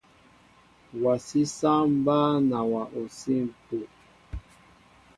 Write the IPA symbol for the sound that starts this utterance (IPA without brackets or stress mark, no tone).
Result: w